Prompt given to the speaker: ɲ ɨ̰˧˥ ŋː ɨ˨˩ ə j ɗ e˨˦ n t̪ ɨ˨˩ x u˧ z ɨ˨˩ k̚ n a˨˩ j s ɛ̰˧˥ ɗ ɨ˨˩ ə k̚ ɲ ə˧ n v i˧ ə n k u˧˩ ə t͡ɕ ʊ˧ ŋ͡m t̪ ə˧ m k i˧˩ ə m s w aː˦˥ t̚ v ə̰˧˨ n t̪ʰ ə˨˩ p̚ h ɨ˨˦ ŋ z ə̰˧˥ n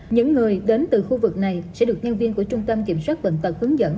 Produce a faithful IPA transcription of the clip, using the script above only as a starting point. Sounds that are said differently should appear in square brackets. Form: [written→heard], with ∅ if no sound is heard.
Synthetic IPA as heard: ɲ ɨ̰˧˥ ŋː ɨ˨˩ ə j ɗ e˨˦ n t̪ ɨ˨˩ x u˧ [z→v] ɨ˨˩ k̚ n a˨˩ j s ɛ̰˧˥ ɗ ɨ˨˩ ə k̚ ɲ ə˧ n v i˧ ə n k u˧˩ ə t͡ɕ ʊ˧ ŋ͡m t̪ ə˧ m k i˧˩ ə m s w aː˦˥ t̚ v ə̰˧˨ n [t̪ʰ→t̪] ə˨˩ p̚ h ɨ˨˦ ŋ z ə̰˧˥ n